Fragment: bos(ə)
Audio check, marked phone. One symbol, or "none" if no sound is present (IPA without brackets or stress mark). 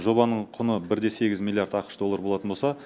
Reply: ɑ